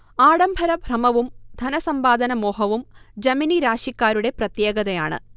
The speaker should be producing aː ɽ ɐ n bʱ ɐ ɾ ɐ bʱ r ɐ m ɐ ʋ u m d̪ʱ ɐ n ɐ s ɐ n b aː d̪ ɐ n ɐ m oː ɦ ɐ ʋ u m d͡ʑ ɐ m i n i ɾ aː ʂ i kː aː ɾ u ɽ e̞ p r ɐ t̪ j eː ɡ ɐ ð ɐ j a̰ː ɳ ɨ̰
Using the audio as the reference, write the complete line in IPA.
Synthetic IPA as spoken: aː ɽ ɐ m bʱ ɐ ɾ ɐ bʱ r ɐ m ɐ ʋ u m d̪ʱ ɐ n ɐ s ɐ m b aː d̪ ɐ n ɐ m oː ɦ ɐ ʋ u m d͡ʑ ɐ m i n i ɾ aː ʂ i kː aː ɾ u ɽ e̞ p r ɐ t̪ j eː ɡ ɐ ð ɐ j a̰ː ɳ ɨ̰